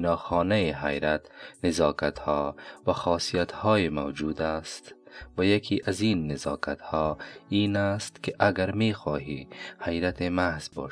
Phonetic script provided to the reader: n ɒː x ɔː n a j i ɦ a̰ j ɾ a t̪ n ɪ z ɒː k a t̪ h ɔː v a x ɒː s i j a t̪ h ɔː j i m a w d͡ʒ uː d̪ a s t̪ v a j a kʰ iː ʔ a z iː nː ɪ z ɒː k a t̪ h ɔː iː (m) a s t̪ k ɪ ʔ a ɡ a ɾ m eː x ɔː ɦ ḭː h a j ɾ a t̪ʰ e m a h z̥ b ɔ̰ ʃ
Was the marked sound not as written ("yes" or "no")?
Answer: yes